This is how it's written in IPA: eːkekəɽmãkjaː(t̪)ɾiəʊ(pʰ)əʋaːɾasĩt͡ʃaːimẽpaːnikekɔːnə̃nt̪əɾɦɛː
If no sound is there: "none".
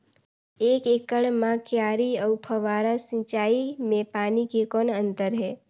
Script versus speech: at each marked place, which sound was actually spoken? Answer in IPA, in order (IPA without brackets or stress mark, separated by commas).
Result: none, pʰ